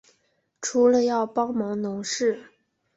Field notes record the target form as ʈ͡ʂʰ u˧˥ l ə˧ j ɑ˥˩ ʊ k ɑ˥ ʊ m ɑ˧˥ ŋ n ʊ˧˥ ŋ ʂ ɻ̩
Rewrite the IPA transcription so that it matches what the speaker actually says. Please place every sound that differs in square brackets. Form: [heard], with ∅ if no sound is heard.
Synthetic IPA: ʈ͡ʂʰ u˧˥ l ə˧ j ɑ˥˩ ʊ [p] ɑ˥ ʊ m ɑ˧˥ ŋ n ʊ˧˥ ŋ ʂ ɻ̩